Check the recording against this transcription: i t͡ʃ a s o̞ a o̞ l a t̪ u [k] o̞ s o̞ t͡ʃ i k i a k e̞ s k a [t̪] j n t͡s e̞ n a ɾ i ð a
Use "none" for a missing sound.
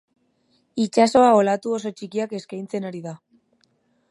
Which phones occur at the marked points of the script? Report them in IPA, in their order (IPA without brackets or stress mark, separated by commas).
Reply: none, none